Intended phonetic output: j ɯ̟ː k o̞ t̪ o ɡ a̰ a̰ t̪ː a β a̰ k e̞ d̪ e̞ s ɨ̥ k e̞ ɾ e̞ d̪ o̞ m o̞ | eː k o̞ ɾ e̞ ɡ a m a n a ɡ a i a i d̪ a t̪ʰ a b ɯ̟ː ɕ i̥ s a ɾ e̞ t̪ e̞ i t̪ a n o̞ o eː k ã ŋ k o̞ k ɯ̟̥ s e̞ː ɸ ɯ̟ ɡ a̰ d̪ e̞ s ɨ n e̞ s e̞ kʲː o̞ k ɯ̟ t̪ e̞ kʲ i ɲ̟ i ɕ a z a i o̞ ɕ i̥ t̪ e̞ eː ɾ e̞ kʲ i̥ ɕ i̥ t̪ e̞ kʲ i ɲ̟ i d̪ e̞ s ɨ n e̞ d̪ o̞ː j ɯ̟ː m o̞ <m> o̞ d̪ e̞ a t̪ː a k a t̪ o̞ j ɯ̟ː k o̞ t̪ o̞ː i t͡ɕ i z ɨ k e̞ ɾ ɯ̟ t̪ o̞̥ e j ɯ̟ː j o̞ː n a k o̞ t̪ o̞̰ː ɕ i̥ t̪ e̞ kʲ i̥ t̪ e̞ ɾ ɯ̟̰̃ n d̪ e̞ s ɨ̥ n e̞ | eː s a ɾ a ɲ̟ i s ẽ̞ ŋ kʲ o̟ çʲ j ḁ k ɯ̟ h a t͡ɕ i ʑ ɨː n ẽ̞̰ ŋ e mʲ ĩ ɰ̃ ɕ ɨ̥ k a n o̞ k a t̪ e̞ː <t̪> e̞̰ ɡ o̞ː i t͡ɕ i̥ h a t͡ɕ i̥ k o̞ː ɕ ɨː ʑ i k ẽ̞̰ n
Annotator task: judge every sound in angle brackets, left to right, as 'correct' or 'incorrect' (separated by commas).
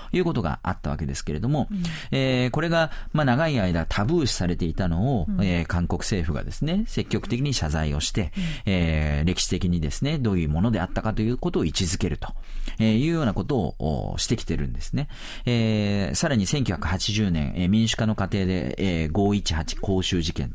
incorrect, incorrect